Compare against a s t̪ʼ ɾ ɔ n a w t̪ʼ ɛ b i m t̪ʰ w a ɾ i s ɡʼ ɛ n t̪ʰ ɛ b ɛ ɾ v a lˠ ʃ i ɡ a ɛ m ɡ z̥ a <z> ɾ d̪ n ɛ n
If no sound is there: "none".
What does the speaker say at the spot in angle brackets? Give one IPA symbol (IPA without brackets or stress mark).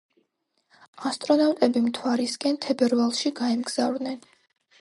v